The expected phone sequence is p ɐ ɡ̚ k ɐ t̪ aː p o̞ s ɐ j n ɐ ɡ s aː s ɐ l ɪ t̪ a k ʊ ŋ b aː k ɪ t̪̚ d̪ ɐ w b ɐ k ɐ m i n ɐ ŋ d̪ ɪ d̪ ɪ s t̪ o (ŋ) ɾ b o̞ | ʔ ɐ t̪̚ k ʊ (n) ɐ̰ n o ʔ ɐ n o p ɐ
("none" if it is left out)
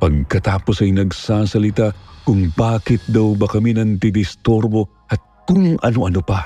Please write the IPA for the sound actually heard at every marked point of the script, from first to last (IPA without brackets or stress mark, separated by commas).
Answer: none, ŋ